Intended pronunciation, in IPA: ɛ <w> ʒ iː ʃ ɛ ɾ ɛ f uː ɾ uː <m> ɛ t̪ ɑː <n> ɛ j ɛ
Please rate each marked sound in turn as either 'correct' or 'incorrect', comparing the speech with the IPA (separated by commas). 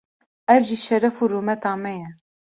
incorrect, correct, incorrect